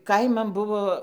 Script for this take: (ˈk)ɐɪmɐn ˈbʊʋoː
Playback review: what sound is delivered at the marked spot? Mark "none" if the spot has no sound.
k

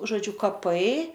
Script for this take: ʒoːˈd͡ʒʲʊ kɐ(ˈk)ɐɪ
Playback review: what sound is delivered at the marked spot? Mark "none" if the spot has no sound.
p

